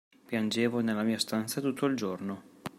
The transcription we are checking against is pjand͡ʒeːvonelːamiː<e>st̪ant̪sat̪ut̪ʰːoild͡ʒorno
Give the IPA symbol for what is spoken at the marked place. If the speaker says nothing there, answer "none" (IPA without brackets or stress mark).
a